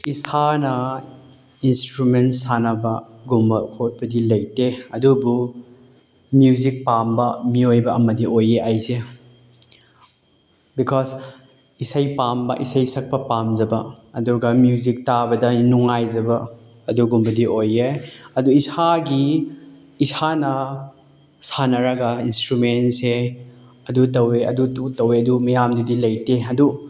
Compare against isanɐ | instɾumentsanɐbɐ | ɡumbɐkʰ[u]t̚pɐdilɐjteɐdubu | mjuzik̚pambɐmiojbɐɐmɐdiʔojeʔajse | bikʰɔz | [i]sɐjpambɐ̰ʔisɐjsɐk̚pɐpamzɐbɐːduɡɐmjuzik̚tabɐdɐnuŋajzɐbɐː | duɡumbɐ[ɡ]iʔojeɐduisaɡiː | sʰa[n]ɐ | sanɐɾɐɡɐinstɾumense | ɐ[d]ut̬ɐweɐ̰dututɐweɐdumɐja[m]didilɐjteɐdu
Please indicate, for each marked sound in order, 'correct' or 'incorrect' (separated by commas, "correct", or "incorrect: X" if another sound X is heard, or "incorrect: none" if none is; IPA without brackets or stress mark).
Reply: incorrect: o, correct, incorrect: d, correct, correct, correct